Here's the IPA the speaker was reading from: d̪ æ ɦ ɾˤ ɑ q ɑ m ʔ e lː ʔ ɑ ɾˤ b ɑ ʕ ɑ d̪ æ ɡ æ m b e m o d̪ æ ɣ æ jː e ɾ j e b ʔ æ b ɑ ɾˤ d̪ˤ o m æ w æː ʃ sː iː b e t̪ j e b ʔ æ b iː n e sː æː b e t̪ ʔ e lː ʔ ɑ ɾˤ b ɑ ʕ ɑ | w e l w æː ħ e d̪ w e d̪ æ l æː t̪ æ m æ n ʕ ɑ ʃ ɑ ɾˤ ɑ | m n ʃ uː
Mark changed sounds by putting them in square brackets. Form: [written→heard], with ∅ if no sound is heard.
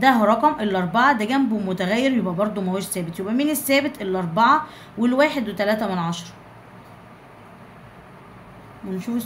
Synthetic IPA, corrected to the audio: d̪ æ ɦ ɾˤ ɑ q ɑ m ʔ e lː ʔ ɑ ɾˤ b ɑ ʕ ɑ d̪ æ ɡ æ m b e m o [d̪→t̪] æ ɣ æ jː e ɾ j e b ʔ æ b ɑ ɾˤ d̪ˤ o m æ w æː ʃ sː [iː→æː] b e t̪ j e b ʔ æ [b→m] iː n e sː æː b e t̪ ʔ e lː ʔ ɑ ɾˤ b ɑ ʕ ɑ | w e l w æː ħ e d̪ w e [d̪→t̪] æ l æː t̪ æ m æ n ʕ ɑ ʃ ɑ ɾˤ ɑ | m n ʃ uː

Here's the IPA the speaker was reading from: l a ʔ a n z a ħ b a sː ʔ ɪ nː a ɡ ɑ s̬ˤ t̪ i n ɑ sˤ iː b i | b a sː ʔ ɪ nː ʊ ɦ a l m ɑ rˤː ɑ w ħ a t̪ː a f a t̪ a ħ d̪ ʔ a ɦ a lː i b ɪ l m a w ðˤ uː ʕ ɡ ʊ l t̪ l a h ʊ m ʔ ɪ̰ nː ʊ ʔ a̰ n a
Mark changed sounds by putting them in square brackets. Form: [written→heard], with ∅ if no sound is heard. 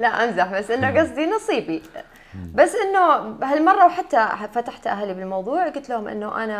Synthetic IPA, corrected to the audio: l a ʔ a [n→m] z a ħ b a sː ʔ ɪ nː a ɡ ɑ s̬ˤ [t̪→d̪] i n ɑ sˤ iː b i | b a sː ʔ ɪ nː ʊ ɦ a l m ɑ rˤː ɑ w ħ a t̪ː a f a t̪ a ħ [d̪→t̪] ʔ a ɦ a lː i b ɪ l m [a→ɑ] w ðˤ uː ʕ ɡ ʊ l t̪ l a h ʊ m ʔ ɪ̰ nː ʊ ʔ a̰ n a

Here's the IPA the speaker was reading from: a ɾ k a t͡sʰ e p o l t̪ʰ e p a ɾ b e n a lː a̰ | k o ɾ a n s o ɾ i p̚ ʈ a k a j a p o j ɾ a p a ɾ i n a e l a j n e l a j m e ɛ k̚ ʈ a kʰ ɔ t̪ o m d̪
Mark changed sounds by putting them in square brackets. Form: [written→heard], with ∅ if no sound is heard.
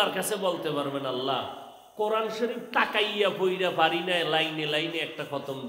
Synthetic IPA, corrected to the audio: a ɾ k a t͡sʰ e [p→b] o l [t̪ʰ→t̪] e p a ɾ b e n a lː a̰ | k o ɾ a n [s→ʃ] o ɾ i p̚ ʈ a k a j a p o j ɾ a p a ɾ i n a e l a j n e l a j [m→n] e ɛ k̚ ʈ a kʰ ɔ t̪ o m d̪

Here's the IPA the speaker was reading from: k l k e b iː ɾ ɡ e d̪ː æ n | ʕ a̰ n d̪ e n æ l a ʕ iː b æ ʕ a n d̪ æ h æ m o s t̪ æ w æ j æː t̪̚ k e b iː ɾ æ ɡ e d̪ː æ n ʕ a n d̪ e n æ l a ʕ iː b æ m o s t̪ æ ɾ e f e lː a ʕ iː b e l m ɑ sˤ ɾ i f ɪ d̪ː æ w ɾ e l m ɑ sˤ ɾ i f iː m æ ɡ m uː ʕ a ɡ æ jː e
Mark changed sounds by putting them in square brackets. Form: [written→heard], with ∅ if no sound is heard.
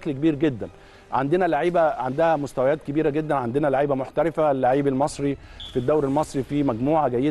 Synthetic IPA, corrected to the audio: k l k e b iː ɾ ɡ e d̪ː æ n | ʕ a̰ n d̪ e n æ l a ʕ iː b æ ʕ a n d̪ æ h æ m o s t̪ æ w æ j æː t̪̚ k e b iː ɾ æ ɡ e d̪ː æ n ʕ a n d̪ e n æ l a ʕ iː b æ m o [s→ħ] t̪ æ ɾ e f [e→æ] lː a ʕ iː b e l m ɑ sˤ ɾ i f [ɪ→i] d̪ː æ w ɾ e l m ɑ sˤ ɾ i f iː m æ ɡ m uː ʕ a ɡ æ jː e

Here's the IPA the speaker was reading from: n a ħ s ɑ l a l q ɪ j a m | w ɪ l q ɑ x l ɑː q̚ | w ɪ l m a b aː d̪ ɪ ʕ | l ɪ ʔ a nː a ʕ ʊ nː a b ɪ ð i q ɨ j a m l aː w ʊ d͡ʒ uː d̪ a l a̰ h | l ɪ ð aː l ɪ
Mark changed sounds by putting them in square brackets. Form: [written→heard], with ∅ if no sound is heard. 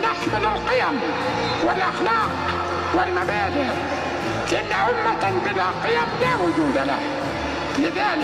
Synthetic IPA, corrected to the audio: n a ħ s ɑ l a l q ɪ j a m | w ɪ l [q→ʔ] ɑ x l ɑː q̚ | w ɪ l m a b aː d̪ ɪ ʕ | l ɪ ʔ a nː a ʕ ʊ [nː→mː] a b ɪ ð [i→a] q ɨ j a m l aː w ʊ d͡ʒ uː d̪ a l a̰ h | l ɪ ð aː l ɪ

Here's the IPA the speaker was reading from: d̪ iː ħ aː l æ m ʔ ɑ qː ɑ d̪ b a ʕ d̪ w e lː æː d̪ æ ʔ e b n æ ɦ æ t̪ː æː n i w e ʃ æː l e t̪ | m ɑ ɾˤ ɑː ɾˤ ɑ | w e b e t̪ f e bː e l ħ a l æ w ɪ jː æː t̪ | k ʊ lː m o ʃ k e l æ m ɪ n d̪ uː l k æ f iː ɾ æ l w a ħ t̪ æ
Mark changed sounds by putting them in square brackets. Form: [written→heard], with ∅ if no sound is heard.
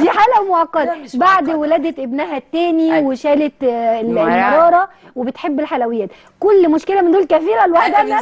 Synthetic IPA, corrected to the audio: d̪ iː ħ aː l æ m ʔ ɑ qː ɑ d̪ b a ʕ d̪ w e [lː→l] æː d̪ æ ʔ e b n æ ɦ æ t̪ː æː n i w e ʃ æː l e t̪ | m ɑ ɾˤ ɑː ɾˤ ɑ | w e b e t̪ [f→ħ] e bː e l ħ a l æ w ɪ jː æː t̪ | k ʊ lː m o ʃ k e l æ m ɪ n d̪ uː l k æ f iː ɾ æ l w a ħ [t̪→d̪] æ

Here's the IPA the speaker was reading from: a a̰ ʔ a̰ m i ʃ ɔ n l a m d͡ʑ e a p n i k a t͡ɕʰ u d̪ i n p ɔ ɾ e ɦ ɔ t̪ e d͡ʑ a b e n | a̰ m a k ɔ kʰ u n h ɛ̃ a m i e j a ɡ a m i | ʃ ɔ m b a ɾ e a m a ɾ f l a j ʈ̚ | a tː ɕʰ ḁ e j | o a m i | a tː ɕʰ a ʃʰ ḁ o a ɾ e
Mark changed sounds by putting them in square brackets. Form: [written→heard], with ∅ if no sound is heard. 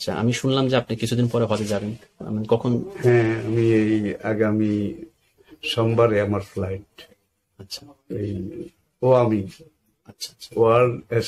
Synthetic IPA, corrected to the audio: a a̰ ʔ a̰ m i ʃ [ɔ→u] n l a m d͡ʑ e a p n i k [a→i] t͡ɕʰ u d̪ i n p ɔ ɾ e ɦ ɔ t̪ e d͡ʑ a b e n | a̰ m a k ɔ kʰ [u→o] n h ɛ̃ a m i e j a ɡ a m i | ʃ ɔ m b a ɾ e a m a ɾ f l a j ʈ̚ | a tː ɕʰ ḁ e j | o a m i | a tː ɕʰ a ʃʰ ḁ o a ɾ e

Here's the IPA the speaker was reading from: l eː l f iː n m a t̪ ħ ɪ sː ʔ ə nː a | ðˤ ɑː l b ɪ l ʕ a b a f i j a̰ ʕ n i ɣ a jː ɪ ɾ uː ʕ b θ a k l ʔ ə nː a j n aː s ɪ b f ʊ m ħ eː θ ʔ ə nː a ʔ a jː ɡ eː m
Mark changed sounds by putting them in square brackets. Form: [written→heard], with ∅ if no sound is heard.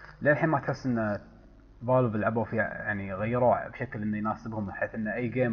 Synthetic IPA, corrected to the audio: l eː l [f→ħ] iː n m a t̪ ħ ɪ sː ʔ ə nː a | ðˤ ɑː l b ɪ l ʕ a b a f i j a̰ ʕ n i ɣ a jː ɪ ɾ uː ʕ b [θ→ʃ] a k l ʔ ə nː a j n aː s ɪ b [f→h] ʊ m ħ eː θ ʔ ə nː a ʔ a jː ɡ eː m

